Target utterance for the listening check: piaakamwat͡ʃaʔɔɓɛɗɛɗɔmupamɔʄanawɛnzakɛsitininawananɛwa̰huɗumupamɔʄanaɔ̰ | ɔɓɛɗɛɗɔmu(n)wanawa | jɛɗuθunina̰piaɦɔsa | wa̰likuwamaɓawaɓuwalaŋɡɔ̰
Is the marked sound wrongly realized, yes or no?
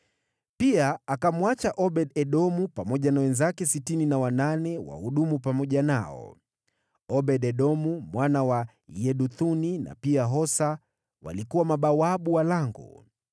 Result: yes